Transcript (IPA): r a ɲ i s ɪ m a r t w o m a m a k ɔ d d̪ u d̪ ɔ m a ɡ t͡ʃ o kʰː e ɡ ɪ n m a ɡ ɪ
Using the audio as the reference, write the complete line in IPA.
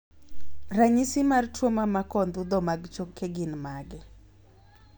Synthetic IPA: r a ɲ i s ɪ m a r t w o m a m a k ɔ n d̪ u d̪ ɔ m a ɡ t͡ʃ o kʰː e ɡ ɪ n m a ɡ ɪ